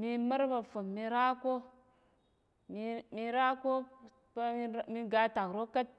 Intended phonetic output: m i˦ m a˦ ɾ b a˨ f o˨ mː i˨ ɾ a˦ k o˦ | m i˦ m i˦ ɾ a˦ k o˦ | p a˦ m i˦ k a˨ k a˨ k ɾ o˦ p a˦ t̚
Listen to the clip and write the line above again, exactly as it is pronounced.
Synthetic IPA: m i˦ m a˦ ɾ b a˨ f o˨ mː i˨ ɾ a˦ k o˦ | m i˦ m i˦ ɾ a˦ k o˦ | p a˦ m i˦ ɡ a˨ t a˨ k ɾ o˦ k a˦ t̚